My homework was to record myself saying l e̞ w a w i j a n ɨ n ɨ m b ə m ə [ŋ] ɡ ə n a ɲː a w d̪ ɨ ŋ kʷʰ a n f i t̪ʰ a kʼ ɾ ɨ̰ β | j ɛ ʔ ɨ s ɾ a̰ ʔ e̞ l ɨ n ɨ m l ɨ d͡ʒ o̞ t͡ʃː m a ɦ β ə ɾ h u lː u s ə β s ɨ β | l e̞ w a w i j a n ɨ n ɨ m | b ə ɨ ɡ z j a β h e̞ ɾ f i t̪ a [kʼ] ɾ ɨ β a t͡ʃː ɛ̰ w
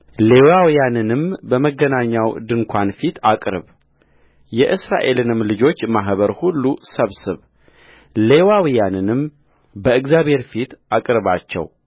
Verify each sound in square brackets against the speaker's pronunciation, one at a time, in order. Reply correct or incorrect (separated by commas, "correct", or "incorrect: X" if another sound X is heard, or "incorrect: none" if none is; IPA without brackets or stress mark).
incorrect: none, correct